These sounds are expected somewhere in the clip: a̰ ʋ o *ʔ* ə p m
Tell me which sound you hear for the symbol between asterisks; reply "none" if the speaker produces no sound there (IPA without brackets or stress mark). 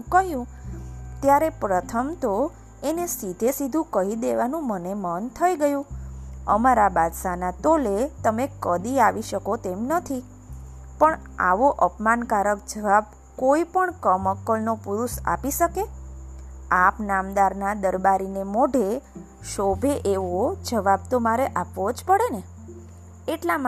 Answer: ʔ